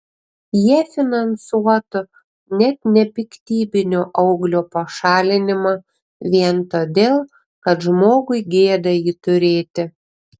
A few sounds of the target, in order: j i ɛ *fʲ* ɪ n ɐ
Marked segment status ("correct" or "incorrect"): correct